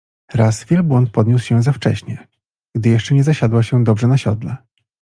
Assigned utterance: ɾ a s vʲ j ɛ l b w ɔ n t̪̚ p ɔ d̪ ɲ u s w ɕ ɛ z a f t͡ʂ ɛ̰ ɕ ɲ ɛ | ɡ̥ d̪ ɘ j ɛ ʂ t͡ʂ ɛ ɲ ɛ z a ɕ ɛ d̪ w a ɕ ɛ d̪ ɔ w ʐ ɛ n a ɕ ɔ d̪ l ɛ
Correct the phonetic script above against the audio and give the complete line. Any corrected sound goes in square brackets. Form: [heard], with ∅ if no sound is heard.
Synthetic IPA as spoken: ɾ a s vʲ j ɛ l b w ɔ n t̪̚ p ɔ d̪ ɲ u s w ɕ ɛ z a f t͡ʂ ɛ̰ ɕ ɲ ɛ | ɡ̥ d̪ ɘ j ɛ ʂ t͡ʂ ɛ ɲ ɛ z a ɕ [a] d̪ w a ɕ ɛ d̪ ɔ [b] ʐ ɛ n a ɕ ɔ d̪ l ɛ